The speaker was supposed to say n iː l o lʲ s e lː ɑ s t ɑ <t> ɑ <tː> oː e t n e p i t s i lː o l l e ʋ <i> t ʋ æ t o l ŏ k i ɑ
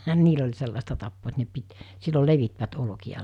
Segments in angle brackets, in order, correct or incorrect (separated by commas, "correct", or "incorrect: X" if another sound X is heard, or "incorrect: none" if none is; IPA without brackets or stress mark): correct, incorrect: pː, correct